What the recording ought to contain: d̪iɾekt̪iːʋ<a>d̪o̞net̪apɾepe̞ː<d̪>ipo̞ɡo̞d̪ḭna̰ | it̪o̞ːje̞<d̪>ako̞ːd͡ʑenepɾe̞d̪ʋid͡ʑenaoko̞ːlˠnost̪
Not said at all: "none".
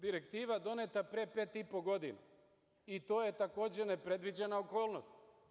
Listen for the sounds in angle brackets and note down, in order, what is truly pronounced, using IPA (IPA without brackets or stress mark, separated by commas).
a, t̪, t̪